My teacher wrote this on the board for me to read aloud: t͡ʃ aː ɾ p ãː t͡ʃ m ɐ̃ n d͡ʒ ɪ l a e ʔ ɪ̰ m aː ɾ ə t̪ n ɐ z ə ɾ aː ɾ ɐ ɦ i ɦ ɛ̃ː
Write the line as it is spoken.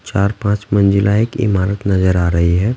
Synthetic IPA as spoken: t͡ʃ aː ɾ p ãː t͡ʃ m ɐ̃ n d͡ʒ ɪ l a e k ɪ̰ m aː ɾ ə t̪ n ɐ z ə ɾ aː ɾ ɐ ɦ i ɦ ɛː